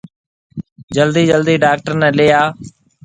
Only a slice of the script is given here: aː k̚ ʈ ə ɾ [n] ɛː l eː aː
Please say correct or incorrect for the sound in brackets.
correct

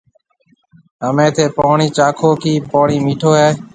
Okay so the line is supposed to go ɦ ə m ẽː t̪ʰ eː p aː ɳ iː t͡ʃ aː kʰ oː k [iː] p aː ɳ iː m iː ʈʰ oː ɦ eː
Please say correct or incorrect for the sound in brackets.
correct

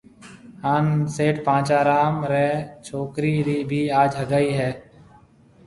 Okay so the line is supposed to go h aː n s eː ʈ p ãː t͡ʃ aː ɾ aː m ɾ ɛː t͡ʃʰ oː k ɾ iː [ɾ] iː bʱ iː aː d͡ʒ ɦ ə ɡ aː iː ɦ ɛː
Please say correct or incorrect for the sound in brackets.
correct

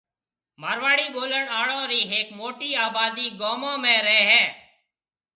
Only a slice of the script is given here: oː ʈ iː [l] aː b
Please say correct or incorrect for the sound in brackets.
incorrect: none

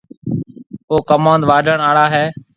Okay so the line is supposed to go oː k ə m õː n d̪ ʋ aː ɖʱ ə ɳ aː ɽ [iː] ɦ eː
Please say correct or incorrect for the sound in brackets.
incorrect: aː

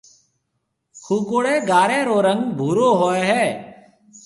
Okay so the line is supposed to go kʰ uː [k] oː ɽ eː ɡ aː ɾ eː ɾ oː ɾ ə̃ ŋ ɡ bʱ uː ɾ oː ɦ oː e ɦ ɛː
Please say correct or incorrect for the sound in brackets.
correct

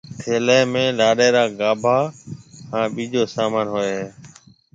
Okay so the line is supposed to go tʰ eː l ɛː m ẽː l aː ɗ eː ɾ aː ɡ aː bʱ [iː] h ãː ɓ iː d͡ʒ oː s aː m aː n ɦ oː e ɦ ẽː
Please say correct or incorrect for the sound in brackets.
incorrect: aː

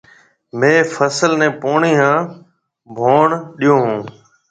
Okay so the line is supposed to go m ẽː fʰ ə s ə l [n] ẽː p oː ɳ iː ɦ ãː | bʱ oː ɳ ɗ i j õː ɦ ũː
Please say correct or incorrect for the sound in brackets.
correct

